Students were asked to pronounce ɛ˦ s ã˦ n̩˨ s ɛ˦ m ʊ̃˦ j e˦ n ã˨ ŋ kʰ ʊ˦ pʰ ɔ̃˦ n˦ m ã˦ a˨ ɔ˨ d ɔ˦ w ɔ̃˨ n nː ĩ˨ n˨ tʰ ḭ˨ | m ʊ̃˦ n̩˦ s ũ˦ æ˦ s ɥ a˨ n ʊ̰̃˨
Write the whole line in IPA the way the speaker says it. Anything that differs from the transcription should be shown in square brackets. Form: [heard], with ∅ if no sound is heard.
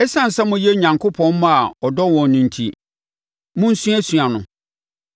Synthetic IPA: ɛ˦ s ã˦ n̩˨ s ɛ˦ m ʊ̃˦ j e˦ [ɲ] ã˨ ŋ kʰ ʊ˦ pʰ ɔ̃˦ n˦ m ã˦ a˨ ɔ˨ d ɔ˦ w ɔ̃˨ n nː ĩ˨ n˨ tʰ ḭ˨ | m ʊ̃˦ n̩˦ s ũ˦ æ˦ s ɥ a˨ n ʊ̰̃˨